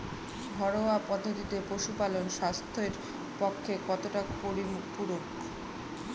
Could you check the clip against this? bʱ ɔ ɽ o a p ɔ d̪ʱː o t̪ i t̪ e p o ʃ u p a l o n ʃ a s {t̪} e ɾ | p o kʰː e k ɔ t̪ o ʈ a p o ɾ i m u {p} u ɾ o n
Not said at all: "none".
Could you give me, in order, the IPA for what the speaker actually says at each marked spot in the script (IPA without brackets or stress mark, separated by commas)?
t̪ʰ, p